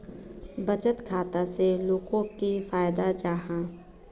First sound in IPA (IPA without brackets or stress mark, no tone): b